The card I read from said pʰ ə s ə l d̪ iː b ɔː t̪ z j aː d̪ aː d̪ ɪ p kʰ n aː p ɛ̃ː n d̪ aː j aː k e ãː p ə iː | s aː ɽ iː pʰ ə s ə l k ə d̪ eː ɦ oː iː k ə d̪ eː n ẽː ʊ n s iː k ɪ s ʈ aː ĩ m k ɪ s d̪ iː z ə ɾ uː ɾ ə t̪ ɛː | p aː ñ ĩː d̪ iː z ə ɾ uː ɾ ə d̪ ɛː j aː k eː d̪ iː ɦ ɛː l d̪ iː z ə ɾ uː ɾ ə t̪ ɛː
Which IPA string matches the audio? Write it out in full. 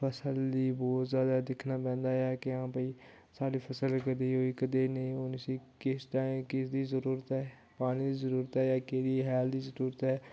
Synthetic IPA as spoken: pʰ ə s ə l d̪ iː b ɔː t̪ z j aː d̪ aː d̪ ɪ kʰ n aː p ɛ̃ː n d̪ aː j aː k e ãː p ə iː | s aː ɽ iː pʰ ə s ə l k ə d̪ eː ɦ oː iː k ə d̪ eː n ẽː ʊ n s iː k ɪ s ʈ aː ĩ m k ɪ s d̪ iː z ə ɾ uː ɾ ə t̪ ɛː | p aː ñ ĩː d̪ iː z ə ɾ uː ɾ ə t̪ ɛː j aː k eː d̪ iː ɦ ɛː l d̪ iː z ə ɾ uː ɾ ə t̪ ɛː